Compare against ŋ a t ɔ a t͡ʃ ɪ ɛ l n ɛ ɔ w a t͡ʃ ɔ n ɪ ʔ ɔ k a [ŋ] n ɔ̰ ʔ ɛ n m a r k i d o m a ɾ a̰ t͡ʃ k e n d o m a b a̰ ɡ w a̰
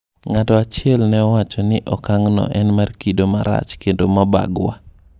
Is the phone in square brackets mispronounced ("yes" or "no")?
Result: no